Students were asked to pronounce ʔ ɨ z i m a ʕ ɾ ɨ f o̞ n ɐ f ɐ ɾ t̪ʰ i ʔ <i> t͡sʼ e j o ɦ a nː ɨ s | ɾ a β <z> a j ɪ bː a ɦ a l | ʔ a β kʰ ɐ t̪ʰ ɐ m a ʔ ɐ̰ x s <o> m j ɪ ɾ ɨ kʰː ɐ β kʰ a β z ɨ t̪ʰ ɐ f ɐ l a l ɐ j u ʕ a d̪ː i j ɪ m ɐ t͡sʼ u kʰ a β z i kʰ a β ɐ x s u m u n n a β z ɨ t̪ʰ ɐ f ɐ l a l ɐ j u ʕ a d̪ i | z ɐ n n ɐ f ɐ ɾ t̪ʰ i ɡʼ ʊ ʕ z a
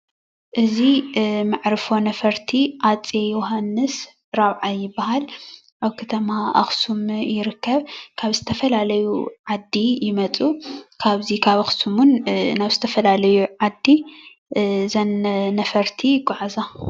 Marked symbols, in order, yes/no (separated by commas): no, no, no